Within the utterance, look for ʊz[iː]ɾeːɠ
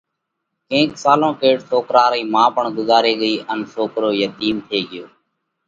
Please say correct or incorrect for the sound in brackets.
incorrect